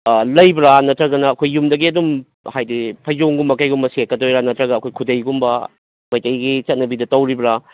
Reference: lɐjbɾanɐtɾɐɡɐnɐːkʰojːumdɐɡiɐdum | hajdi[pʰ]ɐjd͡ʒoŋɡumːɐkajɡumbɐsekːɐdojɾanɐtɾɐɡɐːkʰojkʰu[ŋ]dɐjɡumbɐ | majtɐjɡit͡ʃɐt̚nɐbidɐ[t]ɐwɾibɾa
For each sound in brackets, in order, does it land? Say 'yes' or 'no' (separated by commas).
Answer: yes, no, yes